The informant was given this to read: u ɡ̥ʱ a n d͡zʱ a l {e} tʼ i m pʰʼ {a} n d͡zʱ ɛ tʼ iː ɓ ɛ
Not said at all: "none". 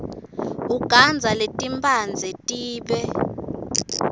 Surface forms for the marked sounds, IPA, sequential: e, a

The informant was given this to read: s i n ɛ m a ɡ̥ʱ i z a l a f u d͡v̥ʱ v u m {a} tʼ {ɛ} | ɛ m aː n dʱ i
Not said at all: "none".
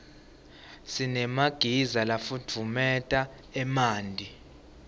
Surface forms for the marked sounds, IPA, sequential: ɛ, a

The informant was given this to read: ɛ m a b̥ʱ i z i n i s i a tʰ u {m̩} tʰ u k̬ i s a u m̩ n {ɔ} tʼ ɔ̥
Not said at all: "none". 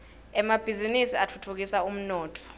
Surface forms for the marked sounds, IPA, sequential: none, ɔː

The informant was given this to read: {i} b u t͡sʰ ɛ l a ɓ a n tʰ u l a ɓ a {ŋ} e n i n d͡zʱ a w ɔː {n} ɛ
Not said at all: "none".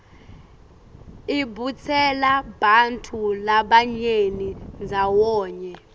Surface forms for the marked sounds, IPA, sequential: i, ɲ, ɲ

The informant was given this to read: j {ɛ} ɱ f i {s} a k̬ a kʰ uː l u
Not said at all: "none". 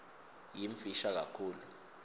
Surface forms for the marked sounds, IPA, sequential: i, ʃ

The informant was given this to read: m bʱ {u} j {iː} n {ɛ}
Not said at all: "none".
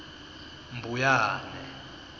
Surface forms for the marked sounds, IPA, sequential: u, aː, ɛ

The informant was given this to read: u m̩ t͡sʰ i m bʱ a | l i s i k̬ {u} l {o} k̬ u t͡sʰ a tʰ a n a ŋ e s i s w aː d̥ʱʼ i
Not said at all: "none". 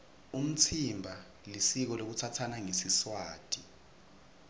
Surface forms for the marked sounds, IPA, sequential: ɔ, o

